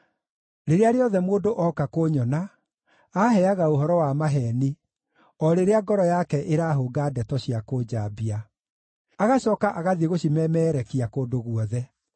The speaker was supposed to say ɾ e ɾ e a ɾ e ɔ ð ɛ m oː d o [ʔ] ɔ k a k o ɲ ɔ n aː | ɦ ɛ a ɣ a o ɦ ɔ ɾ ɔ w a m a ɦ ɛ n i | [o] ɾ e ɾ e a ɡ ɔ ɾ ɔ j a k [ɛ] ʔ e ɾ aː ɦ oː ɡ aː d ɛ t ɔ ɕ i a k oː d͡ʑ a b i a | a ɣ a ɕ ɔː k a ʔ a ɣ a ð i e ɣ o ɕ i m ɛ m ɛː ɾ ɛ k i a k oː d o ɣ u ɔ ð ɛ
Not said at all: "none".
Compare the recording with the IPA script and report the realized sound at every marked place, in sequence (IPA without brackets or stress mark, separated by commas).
ʔ, ɔ, ɛ